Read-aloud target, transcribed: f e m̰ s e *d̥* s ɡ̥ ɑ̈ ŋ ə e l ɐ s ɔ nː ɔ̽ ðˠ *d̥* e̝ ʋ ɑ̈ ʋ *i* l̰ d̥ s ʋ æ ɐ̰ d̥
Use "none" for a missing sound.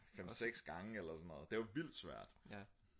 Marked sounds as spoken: ɡ̥, d̥, i

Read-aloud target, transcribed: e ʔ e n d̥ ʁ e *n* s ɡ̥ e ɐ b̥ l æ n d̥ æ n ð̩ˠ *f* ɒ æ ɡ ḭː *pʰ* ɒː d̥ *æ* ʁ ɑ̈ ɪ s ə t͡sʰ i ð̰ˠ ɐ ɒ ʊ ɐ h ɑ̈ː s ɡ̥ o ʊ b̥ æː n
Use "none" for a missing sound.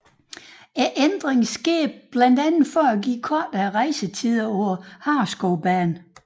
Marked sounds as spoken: ŋ, f, kʰ, æ

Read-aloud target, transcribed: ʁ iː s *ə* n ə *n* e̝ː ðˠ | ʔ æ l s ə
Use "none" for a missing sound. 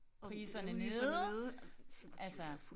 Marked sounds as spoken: ɐ, n

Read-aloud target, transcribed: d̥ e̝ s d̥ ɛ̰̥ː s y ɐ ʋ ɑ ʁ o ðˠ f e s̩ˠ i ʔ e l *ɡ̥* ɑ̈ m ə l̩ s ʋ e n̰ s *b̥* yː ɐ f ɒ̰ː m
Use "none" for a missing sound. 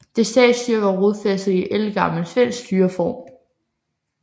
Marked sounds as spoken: ɡ̥, d̥

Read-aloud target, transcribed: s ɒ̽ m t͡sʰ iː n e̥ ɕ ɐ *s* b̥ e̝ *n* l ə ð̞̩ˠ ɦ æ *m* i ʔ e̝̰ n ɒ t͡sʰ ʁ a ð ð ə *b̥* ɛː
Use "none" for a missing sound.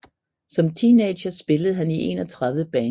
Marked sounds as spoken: s, none, n, b̥

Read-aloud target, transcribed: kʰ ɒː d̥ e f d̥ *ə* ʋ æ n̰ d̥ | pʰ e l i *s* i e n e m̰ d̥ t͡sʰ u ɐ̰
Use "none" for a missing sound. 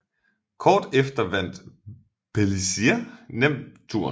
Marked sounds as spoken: ɐ, s

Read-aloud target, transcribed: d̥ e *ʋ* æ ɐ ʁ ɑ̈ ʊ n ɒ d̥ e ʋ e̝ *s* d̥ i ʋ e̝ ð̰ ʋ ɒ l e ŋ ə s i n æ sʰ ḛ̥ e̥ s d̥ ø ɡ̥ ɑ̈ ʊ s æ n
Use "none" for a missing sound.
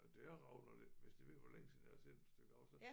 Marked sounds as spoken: none, s

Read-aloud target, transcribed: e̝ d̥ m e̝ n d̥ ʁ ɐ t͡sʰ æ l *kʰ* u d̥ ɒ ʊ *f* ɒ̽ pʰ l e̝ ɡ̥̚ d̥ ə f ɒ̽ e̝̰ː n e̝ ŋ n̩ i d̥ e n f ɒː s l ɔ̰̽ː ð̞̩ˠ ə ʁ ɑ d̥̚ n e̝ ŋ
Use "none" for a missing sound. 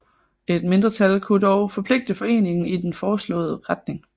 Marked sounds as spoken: kʰ, f

